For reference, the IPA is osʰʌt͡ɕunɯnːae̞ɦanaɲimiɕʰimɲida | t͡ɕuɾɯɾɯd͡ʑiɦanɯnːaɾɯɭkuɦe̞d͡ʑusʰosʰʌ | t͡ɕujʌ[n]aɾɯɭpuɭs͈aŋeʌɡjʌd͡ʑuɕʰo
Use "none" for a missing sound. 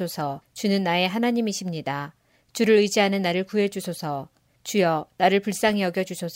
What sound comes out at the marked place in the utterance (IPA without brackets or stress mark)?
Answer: n